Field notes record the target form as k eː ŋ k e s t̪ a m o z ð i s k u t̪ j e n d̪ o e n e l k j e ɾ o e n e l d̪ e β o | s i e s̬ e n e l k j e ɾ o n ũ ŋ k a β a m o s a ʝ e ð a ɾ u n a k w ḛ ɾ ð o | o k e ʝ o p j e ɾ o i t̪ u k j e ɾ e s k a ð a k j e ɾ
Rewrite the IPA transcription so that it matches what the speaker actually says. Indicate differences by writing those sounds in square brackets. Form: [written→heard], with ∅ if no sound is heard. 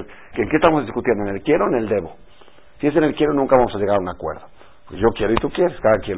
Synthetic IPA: k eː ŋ k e s t̪ a m o z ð i s k u t̪ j e n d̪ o e n e l k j e ɾ o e n e l d̪ e β o | s i e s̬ e n e l k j e ɾ o n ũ ŋ k a β a m o s a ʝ e [ð→ɣ] a ɾ u n a k w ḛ ɾ ð o | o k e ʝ o [p→k] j e ɾ o i t̪ u k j e ɾ e s k a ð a k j e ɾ